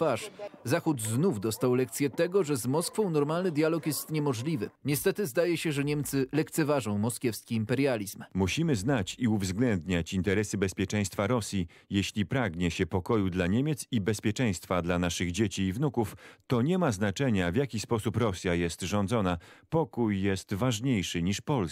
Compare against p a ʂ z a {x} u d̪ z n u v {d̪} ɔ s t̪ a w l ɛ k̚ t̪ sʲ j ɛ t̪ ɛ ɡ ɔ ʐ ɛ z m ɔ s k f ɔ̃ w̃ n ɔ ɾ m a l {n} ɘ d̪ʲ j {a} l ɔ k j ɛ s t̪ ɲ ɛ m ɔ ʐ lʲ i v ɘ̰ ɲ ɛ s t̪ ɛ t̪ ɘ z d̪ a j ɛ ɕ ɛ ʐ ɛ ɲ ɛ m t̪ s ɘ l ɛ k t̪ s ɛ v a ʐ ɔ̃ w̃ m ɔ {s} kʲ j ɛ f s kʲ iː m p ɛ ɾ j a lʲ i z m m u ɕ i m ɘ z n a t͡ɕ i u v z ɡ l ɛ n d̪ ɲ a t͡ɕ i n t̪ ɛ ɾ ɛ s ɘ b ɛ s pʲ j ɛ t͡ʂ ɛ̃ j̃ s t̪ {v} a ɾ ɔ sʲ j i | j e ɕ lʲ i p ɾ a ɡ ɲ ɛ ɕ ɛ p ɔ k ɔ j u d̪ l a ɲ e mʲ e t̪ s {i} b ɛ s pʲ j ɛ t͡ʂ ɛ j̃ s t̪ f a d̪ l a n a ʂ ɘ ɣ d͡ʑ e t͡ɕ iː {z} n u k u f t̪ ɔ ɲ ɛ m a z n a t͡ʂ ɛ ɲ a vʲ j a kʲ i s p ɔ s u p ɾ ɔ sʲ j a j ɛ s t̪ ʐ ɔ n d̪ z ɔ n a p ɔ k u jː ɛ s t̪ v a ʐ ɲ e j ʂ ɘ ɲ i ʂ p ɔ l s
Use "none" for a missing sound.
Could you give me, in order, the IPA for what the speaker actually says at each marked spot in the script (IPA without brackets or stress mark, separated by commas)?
x, d̪, n, a, s, f, i, v